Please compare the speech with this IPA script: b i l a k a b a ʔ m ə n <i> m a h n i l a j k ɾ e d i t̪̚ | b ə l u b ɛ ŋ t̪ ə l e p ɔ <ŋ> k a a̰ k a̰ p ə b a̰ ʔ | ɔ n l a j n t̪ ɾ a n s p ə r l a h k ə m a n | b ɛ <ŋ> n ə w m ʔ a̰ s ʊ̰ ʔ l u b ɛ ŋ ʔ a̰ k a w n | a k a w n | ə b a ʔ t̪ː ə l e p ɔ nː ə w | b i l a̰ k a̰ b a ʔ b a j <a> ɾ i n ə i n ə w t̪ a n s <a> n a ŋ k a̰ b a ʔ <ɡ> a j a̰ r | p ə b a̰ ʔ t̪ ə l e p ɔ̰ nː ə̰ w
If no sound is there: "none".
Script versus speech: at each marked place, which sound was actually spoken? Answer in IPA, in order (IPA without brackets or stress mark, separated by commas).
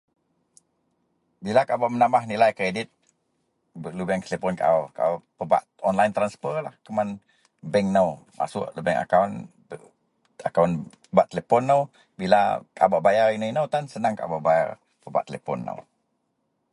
a, n, ŋ, a, ə, b